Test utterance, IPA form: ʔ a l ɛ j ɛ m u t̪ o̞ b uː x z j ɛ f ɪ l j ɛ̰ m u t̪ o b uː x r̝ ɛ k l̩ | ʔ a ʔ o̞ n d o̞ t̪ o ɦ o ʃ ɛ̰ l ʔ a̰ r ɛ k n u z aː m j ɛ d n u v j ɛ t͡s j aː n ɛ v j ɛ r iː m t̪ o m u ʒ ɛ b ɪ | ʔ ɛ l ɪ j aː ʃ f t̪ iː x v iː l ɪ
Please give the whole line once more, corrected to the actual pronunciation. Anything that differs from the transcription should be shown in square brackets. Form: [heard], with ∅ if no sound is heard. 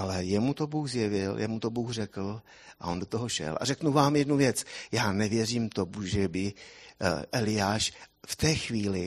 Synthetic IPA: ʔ a l ɛ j ɛ m u t̪ o̞ b uː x z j ɛ [v] ɪ l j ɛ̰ m u t̪ o b uː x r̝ ɛ k l̩ | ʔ a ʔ o̞ n d o̞ t̪ o ɦ o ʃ ɛ̰ l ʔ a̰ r ɛ k n u [v] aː m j ɛ d n u v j ɛ t͡s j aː n ɛ v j ɛ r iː m t̪ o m u ʒ ɛ b ɪ | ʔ ɛ l ɪ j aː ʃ f t̪ [ɛː] x v iː l ɪ